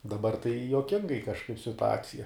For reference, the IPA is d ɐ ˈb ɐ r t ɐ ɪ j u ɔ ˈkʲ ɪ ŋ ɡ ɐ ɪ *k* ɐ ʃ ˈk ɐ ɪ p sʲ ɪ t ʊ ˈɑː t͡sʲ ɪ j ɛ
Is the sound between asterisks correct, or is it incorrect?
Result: correct